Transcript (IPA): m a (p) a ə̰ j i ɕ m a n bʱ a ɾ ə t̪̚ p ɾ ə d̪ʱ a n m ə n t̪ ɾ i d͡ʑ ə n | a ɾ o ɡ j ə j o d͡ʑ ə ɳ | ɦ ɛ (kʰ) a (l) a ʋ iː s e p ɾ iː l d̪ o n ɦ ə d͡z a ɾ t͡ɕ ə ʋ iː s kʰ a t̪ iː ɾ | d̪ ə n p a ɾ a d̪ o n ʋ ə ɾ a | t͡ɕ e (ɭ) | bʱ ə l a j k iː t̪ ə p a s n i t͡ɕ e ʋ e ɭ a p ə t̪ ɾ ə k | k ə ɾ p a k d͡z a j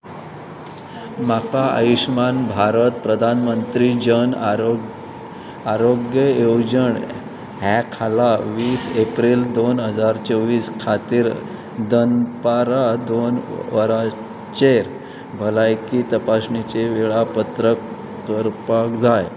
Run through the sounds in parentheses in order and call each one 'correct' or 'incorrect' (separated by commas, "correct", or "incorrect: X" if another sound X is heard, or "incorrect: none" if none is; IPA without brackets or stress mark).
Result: incorrect: k, correct, correct, incorrect: ɾ